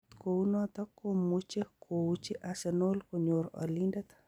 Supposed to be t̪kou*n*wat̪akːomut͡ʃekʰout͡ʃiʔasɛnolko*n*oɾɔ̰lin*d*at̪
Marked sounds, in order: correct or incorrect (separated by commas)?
correct, incorrect, correct